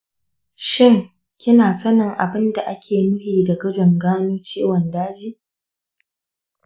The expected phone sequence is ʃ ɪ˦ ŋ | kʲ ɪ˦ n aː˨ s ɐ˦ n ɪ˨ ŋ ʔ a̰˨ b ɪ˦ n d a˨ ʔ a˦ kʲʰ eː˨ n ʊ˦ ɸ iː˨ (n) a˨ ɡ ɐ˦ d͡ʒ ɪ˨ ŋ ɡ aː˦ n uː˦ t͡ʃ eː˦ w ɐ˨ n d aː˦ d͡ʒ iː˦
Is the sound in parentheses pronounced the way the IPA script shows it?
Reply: no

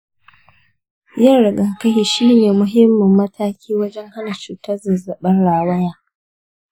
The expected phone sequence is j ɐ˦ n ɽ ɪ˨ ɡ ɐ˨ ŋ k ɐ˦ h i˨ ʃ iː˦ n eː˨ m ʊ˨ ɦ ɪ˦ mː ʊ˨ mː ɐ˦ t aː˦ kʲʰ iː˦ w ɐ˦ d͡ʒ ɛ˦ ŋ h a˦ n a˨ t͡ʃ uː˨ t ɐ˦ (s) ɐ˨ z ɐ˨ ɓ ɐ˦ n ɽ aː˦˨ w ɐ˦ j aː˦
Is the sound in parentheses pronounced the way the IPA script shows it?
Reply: no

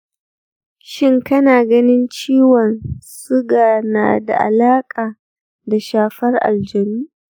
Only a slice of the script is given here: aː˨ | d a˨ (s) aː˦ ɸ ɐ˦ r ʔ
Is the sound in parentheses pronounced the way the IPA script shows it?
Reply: no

